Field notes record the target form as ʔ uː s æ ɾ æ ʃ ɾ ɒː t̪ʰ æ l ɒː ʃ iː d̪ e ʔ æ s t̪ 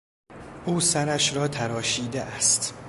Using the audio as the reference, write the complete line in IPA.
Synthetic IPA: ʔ uː s æ ɾ æ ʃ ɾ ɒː t̪ʰ æ ɾ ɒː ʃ iː d̪ e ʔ æ s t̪